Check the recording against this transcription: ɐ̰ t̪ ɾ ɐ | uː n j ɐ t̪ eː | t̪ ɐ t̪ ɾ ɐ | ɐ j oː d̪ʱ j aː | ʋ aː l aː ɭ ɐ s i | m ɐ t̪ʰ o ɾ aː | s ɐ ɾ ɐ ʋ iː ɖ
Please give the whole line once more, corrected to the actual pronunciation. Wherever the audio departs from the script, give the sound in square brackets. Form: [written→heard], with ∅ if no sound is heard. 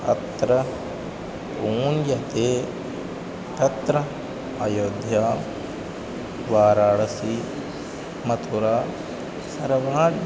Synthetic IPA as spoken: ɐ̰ t̪ ɾ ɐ | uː n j ɐ t̪ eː | t̪ ɐ t̪ ɾ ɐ | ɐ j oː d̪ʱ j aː | ʋ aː [l→ɾ] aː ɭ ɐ s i | m ɐ t̪ʰ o ɾ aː | s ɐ ɾ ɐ ʋ [iː→aː] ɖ